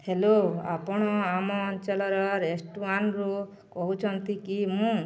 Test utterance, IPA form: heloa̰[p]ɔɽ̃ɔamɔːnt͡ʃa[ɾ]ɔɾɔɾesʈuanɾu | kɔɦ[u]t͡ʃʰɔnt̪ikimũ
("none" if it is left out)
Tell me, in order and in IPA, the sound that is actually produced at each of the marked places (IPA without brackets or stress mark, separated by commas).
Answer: p, l, u